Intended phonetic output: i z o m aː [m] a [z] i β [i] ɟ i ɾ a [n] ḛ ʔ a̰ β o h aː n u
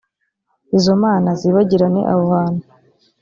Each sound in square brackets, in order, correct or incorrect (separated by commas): incorrect, correct, incorrect, correct